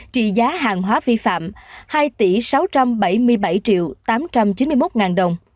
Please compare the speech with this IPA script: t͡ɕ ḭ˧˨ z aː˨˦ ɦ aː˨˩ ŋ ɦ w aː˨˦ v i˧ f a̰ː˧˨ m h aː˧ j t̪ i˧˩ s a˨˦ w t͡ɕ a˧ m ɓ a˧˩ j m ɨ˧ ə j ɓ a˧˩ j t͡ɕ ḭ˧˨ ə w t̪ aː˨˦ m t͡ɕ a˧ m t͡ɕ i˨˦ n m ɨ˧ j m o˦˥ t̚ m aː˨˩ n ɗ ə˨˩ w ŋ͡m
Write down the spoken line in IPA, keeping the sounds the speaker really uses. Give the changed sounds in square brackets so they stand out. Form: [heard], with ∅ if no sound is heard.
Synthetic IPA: t͡ɕ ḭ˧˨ z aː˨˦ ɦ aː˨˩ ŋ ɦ w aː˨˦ v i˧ f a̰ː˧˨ m h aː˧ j t̪ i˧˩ s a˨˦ w t͡ɕ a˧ m ɓ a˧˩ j m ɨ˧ ə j ɓ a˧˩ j t͡ɕ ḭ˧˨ ə w t̪ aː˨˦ m t͡ɕ a˧ m t͡ɕ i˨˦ n m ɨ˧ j m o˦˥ t̚ [ŋ] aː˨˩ n ɗ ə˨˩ w ŋ͡m